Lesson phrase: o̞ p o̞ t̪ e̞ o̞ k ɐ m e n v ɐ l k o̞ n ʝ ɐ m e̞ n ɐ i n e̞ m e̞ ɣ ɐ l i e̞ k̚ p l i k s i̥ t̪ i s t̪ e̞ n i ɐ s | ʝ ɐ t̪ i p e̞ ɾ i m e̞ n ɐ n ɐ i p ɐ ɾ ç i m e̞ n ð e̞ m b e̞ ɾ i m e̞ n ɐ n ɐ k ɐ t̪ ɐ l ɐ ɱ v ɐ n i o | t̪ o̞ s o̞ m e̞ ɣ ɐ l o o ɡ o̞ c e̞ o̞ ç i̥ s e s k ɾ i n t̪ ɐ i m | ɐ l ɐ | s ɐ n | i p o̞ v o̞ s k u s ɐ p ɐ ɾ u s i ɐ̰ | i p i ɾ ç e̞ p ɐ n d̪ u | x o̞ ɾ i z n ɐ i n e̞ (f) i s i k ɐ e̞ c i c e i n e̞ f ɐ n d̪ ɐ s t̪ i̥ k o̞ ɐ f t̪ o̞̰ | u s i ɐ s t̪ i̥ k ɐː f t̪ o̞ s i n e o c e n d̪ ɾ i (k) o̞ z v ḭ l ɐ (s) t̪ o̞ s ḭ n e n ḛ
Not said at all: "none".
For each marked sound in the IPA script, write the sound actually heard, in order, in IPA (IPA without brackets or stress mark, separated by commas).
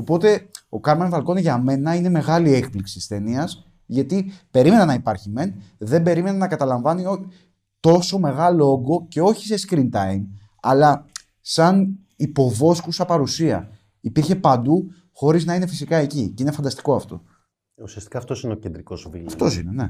f, k, f